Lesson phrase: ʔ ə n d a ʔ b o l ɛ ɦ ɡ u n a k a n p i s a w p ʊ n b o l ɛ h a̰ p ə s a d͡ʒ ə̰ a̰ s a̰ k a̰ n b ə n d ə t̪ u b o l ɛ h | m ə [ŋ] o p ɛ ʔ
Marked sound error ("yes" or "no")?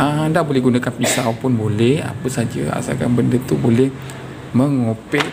no